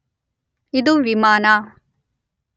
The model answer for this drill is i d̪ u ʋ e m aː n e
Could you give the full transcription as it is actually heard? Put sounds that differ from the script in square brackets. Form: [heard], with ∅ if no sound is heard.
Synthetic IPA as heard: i d̪ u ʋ [i] m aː n [a]